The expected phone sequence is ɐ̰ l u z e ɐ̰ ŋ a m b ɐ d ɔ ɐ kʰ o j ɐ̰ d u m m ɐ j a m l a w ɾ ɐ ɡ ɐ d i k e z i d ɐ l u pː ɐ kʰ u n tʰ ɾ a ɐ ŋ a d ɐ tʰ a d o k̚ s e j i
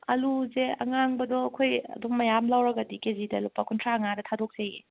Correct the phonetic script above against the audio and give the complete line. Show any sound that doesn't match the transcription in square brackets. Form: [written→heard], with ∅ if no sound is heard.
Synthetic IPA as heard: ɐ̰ l u z e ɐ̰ ŋ a [m→ŋ] b ɐ d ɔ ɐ kʰ o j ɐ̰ d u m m ɐ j a m l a w ɾ ɐ ɡ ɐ d i k e z i d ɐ l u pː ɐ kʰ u n tʰ ɾ a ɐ ŋ a d ɐ tʰ a d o k̚ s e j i